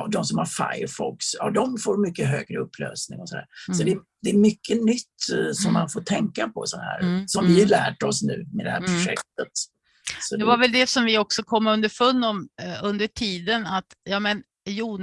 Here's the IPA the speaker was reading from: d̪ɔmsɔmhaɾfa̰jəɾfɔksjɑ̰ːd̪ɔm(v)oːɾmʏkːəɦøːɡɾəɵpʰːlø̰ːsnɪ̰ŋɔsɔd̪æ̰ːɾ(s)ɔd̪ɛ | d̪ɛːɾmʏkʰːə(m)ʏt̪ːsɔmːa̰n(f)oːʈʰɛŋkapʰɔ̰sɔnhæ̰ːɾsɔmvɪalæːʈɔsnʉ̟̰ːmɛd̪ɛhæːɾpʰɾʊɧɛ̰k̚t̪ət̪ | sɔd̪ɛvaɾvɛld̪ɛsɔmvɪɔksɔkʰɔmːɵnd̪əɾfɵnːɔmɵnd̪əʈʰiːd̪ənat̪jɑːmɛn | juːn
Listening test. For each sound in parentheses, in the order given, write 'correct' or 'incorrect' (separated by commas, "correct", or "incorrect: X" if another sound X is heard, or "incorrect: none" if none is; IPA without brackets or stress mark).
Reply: incorrect: f, correct, incorrect: n, correct